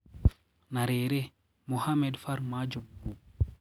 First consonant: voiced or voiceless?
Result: voiced